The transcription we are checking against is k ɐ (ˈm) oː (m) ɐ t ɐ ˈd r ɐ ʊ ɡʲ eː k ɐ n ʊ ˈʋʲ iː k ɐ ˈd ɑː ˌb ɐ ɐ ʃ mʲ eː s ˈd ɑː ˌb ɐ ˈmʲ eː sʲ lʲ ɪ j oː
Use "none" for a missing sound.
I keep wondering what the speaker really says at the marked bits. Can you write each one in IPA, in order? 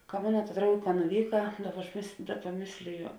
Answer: m, n

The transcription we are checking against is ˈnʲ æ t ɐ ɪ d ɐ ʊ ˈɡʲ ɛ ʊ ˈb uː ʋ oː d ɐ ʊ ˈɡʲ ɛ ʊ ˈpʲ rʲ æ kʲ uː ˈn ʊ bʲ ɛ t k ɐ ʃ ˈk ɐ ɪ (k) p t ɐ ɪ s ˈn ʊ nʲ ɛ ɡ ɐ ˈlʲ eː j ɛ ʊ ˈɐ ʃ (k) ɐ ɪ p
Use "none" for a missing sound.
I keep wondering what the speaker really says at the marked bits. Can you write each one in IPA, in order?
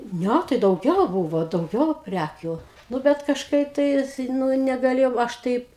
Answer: none, t

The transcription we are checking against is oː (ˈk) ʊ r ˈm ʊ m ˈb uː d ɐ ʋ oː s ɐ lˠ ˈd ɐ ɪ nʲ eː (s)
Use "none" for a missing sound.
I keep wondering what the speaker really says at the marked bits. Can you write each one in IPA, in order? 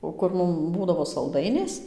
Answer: k, s

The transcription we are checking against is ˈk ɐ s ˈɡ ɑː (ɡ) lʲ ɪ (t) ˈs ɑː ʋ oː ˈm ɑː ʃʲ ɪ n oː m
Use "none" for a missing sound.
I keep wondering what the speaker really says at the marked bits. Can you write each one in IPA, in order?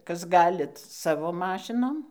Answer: none, t

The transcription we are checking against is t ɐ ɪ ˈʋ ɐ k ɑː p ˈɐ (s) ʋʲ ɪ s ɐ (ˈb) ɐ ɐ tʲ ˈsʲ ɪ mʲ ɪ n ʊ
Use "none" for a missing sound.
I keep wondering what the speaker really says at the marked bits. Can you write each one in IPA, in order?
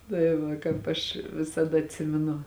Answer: ʃ, d

